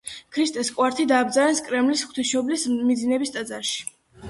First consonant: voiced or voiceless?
voiceless